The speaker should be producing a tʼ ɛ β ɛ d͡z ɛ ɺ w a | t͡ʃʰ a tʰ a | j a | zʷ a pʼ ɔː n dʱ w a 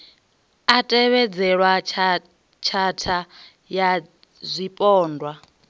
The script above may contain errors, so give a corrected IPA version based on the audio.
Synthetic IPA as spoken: a tʼ ɛ β ɛ d͡z ɛ ɺ w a | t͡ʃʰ a tʰ a | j a | zʷ i pʼ ɔː n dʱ w a